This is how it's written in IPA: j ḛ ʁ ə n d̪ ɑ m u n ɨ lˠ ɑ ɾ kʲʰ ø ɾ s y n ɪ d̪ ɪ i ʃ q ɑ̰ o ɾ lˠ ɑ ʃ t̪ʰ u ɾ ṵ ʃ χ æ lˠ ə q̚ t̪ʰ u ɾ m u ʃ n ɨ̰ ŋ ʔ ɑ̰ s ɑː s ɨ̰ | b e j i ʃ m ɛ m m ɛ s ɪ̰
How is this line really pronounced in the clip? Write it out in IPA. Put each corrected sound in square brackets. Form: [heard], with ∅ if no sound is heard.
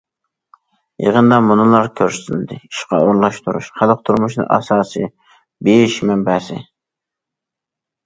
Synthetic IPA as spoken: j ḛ ʁ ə n d̪ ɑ m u n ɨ lˠ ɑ ɾ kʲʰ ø ɾ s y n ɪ d̪ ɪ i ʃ q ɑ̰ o ɾ lˠ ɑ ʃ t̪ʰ u ɾ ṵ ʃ χ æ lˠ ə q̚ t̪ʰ u ɾ m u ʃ n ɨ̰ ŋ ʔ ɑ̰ s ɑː s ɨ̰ | b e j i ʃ m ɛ m [b] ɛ s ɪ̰